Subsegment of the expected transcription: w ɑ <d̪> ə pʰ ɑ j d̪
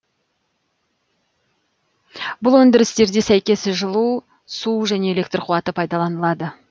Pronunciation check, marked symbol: incorrect: t̪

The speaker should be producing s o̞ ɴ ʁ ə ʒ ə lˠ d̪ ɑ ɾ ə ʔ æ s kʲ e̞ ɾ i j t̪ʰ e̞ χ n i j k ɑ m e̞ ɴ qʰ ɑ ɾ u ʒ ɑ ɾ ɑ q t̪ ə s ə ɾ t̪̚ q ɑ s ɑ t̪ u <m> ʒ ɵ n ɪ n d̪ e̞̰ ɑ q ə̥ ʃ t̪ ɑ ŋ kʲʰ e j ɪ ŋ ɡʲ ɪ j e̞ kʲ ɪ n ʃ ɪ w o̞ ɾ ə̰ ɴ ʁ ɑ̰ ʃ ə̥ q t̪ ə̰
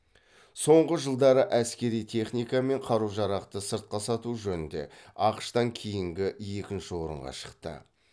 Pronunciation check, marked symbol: incorrect: none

